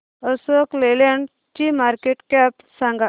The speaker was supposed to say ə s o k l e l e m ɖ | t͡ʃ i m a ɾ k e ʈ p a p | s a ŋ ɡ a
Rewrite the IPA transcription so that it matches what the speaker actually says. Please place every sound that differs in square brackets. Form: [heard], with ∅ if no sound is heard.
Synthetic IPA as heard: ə s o k l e l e [ɳ] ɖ | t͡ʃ i m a ɾ k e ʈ [k] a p | s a ŋ ɡ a